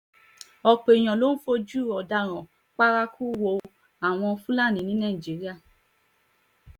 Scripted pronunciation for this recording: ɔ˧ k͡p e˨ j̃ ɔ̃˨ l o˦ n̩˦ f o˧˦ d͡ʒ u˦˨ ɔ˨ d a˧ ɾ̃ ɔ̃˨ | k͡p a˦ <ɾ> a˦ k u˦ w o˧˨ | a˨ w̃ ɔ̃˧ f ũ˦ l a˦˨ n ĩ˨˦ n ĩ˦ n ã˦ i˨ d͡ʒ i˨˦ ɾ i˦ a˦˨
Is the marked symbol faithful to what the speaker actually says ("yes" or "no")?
yes